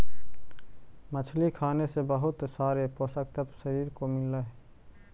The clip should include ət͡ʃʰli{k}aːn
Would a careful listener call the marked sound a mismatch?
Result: yes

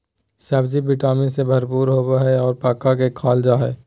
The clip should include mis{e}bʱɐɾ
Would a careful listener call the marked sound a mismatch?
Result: no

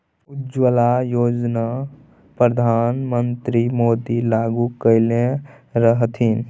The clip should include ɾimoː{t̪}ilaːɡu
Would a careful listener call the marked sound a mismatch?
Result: yes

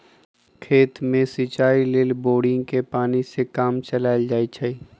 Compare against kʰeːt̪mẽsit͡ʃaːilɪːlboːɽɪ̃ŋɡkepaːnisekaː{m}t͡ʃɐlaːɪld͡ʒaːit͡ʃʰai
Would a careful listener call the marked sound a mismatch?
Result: no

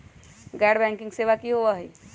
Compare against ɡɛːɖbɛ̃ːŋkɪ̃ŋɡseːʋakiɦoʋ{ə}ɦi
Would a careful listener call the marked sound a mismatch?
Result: yes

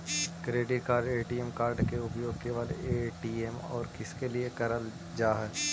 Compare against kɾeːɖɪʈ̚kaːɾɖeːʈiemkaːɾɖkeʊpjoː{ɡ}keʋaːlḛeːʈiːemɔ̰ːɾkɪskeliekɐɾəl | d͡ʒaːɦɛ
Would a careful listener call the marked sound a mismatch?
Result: no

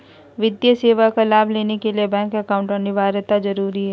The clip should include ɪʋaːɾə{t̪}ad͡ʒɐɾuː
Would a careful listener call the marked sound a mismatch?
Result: no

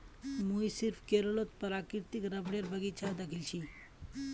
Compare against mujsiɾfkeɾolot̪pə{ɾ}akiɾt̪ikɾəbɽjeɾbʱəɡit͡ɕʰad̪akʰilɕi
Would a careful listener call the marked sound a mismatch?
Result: no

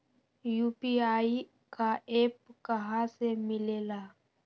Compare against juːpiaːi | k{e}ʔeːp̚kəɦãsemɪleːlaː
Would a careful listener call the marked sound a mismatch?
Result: yes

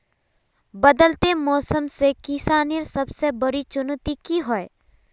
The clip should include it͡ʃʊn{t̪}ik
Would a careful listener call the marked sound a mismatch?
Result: no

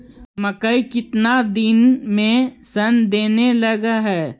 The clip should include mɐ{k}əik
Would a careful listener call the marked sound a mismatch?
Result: no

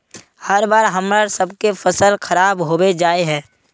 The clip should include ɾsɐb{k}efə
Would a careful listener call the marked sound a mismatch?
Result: no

